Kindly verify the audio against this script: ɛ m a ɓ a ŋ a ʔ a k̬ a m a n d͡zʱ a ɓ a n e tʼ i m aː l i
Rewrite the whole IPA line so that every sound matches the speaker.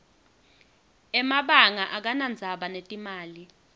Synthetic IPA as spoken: ɛ m a ɓ a ŋ a ʔ a k̬ a n a n d͡zʱ a ɓ a n e tʼ i m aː l i